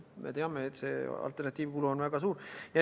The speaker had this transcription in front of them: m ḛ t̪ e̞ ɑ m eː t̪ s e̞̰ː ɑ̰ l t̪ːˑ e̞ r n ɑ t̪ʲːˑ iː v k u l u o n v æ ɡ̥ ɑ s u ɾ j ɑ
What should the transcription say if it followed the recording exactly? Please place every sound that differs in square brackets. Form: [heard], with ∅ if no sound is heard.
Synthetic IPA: m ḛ t̪ e̞ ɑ m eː t̪ s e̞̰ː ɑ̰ l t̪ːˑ e̞ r n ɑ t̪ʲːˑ iː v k u l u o n v æ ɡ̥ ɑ s [uː] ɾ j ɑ